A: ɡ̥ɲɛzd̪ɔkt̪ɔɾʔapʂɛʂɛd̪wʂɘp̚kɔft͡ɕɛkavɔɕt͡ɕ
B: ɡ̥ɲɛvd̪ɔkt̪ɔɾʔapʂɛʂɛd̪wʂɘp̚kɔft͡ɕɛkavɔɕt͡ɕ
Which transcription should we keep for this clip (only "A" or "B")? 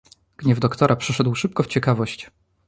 B